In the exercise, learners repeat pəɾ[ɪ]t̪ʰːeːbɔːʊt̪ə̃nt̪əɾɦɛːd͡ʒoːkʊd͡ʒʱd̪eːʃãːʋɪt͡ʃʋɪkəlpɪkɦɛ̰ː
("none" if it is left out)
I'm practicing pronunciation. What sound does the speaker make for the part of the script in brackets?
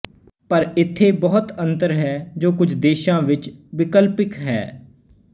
ɪ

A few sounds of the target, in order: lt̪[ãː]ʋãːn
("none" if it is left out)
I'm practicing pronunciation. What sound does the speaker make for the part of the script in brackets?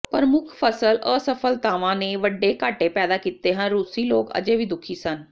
aː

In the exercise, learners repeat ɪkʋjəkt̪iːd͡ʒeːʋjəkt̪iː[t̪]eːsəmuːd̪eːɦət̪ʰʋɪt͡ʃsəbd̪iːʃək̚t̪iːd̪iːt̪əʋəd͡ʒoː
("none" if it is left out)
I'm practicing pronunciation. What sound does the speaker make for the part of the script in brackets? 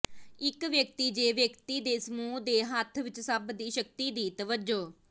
d̪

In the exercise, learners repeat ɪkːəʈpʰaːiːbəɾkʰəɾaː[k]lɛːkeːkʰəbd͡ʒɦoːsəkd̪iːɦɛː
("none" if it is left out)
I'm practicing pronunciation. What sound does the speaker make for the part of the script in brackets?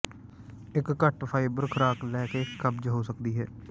k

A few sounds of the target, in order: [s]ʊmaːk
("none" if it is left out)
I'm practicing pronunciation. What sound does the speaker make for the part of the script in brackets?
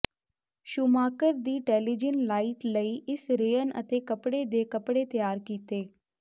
ʃ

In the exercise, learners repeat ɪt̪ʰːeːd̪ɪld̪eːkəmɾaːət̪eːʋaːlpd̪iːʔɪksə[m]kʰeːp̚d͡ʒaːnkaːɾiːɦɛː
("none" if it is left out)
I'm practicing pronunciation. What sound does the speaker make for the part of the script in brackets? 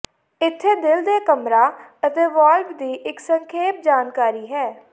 ŋ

